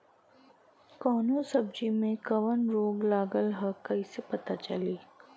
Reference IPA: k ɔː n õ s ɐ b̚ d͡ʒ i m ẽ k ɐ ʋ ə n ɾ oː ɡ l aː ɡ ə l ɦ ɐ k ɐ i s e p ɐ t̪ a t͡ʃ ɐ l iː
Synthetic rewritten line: k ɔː n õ s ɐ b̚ d͡ʒ i m ẽ k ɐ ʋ ə n ɾ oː ɡ l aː ɡ ə l ɦ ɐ k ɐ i s e p ɐ t̪ a t͡ʃ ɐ l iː